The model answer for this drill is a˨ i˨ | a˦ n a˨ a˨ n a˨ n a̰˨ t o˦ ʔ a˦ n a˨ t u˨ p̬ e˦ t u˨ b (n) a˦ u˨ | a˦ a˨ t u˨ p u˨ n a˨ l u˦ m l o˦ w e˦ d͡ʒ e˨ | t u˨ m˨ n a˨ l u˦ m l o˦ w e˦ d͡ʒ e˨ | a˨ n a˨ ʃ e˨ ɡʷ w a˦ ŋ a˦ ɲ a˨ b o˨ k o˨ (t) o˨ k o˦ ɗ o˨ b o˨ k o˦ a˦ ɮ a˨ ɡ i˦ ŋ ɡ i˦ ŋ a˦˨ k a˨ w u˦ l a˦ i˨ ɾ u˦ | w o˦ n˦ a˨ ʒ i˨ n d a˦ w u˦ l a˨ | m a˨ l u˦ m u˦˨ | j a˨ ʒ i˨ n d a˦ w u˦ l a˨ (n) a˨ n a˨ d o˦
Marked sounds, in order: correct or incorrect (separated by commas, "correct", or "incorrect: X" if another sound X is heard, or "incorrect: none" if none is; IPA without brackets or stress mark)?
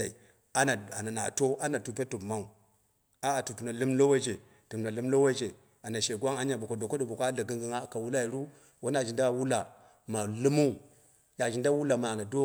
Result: incorrect: m, incorrect: d, incorrect: m